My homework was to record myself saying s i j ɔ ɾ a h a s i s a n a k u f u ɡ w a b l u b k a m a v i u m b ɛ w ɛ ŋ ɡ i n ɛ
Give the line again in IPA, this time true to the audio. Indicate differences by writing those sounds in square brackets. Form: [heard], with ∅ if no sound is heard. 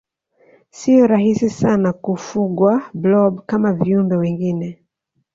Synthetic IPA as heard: s i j ɔ ɾ a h [i] s i s a n a k u f u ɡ w a b l [ɔ] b k a m a v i u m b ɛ w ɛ ŋ ɡ i n ɛ

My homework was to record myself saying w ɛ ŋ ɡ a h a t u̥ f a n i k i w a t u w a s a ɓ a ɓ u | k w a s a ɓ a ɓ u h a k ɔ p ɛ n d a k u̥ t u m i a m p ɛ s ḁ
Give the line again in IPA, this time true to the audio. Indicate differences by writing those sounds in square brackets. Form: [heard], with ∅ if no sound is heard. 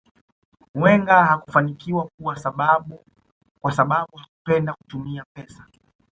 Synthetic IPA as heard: w ɛ ŋ ɡ a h a [k] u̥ f a n i k i w a [k] u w a s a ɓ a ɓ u | k w a s a ɓ a ɓ u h a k [u] p ɛ n d a k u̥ t u m i a [∅] p ɛ s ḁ

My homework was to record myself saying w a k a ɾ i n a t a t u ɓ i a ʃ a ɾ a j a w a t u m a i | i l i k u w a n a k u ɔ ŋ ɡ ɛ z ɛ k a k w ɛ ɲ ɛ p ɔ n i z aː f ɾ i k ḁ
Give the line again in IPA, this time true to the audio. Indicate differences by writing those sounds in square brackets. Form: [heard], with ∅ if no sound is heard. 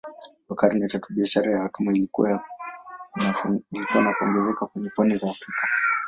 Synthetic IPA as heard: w a k a ɾ i n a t a t u ɓ i a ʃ a ɾ a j a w a t u m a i | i l i k u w a n a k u ɔ ŋ ɡ ɛ z ɛ k a k w ɛ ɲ ɛ p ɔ n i z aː f ɾ i k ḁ

